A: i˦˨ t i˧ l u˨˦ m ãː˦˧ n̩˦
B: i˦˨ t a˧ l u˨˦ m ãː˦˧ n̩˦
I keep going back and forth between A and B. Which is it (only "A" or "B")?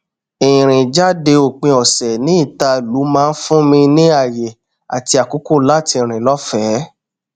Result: B